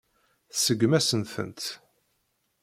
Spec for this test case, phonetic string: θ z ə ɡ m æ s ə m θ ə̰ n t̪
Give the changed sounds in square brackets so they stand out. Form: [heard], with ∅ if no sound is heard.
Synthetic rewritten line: θ [s] ə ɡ m æ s ə [n] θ ə̰ n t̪